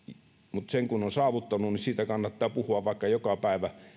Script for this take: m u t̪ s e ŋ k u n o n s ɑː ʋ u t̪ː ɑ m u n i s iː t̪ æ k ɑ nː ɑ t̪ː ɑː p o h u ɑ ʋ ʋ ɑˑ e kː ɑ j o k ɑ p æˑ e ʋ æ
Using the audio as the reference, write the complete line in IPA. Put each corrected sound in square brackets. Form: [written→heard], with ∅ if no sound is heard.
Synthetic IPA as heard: m u t̪ s e ŋ k u n o n s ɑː ʋ u t̪ː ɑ [m→n] u n i s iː t̪ æ k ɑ nː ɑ t̪ː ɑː p [o→u] h u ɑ ʋ ʋ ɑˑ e kː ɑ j o k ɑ p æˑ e ʋ æ